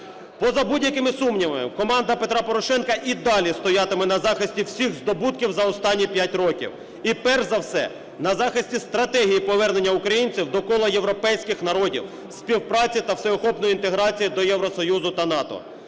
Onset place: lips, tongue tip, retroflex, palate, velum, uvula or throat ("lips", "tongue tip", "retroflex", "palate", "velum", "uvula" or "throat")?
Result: lips